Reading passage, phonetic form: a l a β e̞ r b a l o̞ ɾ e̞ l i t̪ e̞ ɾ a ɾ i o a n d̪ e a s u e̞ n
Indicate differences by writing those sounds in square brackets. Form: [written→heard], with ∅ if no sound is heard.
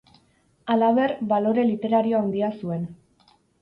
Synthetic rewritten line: a l a β e̞ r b a l o̞ ɾ e̞ l i t̪ e̞ ɾ a ɾ i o a n d̪ [e→i] a s u e̞ n